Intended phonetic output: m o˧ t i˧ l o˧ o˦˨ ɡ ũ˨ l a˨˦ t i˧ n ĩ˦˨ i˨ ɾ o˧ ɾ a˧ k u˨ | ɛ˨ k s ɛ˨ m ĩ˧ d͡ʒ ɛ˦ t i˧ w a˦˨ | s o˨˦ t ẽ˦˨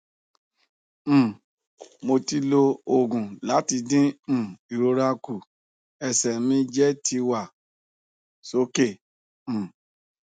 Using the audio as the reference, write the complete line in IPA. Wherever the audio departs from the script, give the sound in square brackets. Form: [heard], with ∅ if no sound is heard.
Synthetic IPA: m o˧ t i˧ l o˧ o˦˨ ɡ ũ˨ l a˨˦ t i˧ [d] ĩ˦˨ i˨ ɾ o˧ ɾ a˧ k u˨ | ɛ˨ [∅] s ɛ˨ m ĩ˧ d͡ʒ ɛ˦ t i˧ w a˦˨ | s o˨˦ [k] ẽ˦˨